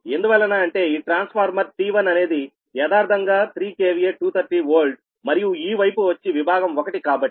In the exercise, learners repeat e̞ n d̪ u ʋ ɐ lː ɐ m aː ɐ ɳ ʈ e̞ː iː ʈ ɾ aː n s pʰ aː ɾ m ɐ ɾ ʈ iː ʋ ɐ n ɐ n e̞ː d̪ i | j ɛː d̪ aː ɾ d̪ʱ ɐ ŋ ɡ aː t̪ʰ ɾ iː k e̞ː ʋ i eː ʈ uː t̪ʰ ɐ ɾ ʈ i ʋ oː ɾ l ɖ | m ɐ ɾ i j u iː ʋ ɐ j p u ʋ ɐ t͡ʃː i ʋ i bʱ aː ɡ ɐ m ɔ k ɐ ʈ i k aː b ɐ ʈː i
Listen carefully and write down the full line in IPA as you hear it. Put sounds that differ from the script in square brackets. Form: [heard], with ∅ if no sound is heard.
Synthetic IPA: e̞ n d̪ u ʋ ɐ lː ɐ [n] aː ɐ ɳ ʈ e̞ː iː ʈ ɾ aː n s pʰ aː ɾ m ɐ ɾ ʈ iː ʋ ɐ n ɐ n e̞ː d̪ i | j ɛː d̪ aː ɾ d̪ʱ ɐ ŋ ɡ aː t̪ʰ ɾ iː k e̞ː ʋ i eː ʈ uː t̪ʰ ɐ ɾ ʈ i ʋ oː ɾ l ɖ | m ɐ ɾ i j u iː ʋ ɐ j p u ʋ ɐ t͡ʃː i ʋ i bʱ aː ɡ ɐ m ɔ k ɐ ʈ i k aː b ɐ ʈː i